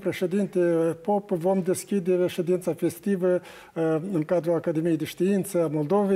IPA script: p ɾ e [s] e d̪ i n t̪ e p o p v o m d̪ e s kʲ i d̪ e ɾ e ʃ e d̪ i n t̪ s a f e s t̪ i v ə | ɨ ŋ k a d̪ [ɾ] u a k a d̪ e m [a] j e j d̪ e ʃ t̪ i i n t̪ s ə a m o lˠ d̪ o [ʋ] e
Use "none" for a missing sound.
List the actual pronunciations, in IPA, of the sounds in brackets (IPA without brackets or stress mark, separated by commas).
ʃ, ɾ, i, v